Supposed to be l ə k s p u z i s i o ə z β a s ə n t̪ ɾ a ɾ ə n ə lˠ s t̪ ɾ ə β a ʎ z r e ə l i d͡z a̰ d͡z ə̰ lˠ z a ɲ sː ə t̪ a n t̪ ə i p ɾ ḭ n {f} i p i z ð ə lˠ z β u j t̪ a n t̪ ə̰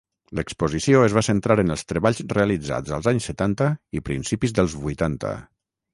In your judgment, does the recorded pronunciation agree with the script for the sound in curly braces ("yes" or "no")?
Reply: no